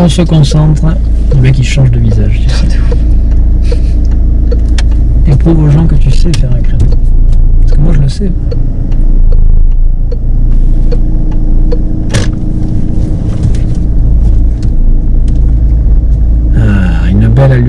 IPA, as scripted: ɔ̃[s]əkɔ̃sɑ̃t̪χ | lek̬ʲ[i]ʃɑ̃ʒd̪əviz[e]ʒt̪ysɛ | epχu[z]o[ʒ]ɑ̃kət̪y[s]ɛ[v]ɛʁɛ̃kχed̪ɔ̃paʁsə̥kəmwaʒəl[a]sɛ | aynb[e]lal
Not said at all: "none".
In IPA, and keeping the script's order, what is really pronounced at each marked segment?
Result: s, i, a, v, ʒ, s, f, ə, ɛ

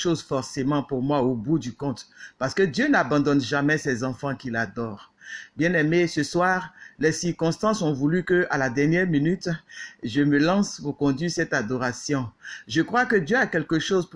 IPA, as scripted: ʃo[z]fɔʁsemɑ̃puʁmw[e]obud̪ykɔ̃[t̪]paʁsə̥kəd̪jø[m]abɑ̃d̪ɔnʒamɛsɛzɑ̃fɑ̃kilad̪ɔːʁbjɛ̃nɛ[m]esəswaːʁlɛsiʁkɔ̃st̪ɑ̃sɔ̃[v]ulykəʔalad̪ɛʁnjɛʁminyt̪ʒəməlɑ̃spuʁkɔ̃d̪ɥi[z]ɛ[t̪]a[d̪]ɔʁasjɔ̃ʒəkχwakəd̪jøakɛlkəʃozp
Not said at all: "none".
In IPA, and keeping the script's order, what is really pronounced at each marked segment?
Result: z, a, t̪, n, m, v, s, t̪, d̪

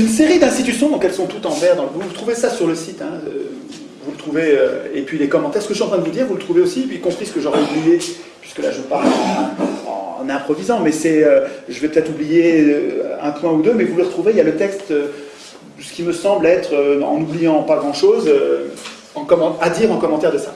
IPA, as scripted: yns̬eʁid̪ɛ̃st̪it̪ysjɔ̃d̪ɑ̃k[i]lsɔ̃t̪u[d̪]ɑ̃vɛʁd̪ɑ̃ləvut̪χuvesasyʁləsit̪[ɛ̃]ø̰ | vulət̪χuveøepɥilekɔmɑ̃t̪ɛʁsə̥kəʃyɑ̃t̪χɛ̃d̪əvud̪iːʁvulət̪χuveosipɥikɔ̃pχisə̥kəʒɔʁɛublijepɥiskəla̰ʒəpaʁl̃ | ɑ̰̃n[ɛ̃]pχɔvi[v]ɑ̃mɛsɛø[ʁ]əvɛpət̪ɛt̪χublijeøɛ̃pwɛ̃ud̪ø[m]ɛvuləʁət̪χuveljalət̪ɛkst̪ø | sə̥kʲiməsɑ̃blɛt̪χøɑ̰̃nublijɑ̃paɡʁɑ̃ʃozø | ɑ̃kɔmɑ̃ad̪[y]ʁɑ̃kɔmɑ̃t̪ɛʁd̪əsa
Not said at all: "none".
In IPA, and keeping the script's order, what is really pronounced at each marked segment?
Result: ɛ, t̪, ɛ̃, ɛ̃, z, ʒ, m, i

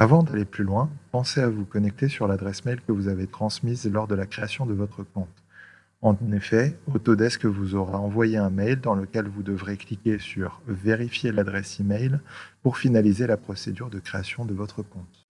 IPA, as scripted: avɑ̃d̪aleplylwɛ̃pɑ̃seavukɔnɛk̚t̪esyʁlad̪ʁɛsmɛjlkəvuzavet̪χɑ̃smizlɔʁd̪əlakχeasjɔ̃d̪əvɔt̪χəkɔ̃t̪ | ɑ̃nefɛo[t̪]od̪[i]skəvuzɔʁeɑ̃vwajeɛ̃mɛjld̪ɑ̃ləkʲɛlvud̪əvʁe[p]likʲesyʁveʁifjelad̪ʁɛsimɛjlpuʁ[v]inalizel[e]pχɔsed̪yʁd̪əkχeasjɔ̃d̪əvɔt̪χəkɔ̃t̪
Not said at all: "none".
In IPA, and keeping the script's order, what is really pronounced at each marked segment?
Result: t̪, ɛ, k, f, a

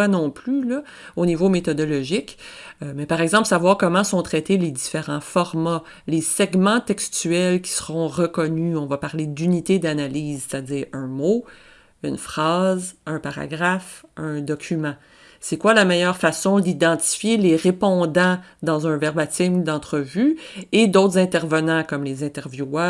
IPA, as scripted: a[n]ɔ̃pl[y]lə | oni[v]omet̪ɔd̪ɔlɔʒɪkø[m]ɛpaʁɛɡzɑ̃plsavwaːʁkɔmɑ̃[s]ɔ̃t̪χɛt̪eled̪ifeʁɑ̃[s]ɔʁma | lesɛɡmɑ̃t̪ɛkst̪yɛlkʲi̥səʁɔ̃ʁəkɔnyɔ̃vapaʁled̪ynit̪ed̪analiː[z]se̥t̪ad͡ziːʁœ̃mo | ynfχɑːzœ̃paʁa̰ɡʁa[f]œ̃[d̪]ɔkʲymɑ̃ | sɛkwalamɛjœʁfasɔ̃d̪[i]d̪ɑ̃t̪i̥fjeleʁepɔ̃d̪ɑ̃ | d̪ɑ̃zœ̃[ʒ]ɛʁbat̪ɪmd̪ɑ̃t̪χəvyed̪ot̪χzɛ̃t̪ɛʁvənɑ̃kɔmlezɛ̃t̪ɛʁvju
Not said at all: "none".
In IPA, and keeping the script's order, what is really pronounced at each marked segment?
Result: n, y, v, m, s, f, z, f, d̪, i, v

